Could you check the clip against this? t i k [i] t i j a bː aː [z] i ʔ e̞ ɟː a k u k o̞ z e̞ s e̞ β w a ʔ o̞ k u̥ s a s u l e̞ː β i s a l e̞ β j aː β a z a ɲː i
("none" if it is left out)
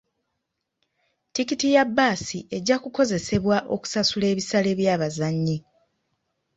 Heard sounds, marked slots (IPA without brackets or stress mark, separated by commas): i, s